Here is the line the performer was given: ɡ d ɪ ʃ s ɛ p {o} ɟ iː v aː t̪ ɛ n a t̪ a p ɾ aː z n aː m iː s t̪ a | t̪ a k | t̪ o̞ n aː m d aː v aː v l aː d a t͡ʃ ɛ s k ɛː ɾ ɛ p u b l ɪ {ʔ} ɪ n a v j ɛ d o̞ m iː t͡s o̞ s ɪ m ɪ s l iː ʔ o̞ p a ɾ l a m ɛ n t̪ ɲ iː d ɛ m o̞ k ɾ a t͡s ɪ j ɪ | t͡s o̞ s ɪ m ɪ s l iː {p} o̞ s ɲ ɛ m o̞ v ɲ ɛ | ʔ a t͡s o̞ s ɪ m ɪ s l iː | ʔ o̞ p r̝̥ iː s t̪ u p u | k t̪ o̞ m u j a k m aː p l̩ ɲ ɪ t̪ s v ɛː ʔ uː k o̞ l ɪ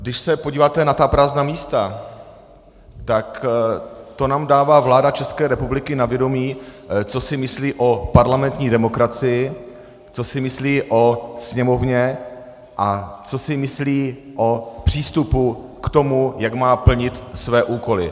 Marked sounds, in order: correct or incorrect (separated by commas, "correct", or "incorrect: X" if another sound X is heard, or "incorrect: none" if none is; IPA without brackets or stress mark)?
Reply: correct, incorrect: k, incorrect: ʔ